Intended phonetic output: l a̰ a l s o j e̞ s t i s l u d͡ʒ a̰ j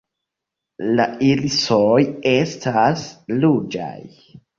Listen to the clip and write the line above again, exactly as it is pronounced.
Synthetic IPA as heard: l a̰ i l s o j e̞ s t a s l u d͡ʒ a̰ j